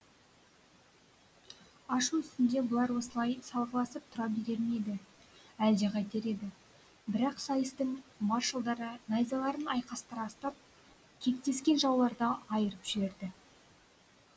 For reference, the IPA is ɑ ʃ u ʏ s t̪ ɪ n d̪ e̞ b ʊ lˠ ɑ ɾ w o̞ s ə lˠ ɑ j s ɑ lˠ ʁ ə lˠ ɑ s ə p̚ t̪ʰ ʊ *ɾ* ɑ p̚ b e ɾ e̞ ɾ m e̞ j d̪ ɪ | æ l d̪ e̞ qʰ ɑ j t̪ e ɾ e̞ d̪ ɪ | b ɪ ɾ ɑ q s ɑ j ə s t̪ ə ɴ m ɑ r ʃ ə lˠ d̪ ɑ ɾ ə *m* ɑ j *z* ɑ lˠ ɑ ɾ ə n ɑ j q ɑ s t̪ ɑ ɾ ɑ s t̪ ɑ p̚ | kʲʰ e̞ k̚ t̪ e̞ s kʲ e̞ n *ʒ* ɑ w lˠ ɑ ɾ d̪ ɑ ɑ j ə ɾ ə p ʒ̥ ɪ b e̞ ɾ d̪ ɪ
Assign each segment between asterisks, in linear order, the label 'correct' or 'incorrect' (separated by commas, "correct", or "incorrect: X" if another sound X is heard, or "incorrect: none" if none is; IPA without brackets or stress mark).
correct, incorrect: n, correct, correct